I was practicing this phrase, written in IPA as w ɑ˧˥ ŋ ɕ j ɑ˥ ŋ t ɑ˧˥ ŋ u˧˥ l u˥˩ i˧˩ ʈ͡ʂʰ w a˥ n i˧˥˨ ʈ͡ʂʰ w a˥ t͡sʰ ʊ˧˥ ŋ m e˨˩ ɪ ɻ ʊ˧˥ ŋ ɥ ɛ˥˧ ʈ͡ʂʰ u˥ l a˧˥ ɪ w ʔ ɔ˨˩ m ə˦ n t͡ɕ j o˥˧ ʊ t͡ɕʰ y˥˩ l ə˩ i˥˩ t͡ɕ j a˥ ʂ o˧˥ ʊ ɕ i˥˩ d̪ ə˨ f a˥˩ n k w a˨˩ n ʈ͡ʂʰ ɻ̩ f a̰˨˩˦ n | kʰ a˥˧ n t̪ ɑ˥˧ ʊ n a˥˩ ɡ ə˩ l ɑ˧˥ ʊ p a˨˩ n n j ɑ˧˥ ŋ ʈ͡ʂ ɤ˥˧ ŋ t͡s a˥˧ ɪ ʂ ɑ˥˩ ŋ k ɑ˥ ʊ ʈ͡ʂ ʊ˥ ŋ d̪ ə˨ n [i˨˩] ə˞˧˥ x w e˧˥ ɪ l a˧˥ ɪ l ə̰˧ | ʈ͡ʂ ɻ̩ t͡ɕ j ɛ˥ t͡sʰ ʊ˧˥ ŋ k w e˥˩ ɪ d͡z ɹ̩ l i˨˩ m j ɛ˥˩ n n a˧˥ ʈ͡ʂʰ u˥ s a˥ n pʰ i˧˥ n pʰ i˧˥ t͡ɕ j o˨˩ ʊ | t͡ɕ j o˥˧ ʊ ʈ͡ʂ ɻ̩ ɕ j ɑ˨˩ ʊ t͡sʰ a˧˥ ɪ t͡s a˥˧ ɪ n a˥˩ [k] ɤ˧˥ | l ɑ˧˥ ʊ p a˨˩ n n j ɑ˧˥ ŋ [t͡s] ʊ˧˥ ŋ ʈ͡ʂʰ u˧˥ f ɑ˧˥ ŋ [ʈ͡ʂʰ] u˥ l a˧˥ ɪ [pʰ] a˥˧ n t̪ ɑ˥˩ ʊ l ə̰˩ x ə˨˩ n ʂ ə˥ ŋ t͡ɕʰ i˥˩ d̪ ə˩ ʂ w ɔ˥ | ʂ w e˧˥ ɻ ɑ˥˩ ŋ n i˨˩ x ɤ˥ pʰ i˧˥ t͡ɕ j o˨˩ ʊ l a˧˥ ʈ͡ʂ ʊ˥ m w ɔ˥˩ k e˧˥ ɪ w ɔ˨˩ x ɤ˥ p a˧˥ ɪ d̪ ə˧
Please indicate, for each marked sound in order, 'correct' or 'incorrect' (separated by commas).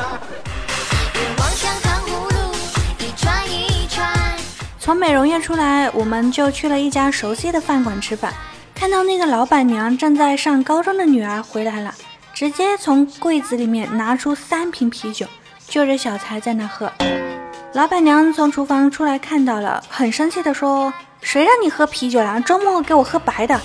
incorrect, incorrect, incorrect, correct, incorrect